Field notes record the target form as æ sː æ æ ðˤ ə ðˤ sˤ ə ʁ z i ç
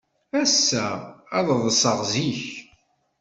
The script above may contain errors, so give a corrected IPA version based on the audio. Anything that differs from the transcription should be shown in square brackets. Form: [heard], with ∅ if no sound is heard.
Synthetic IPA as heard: æ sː æ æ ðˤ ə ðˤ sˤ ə ʁ z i ç